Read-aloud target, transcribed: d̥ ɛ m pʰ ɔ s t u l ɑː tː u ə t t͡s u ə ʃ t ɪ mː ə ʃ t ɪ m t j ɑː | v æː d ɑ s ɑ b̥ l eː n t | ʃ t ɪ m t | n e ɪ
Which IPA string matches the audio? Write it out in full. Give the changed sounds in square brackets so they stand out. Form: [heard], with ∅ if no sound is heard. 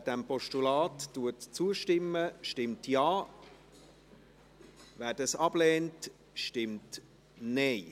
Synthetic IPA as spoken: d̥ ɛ m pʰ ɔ [ʃ] t u l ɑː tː u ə t t͡s u ə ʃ t ɪ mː ə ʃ t ɪ m t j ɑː | v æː d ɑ s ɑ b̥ l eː n t | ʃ t ɪ m t | n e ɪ